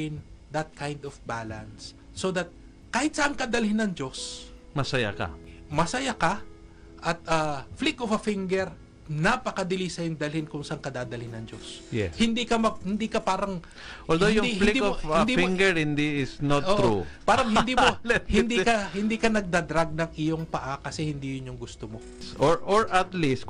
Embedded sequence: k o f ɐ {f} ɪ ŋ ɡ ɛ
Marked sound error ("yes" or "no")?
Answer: no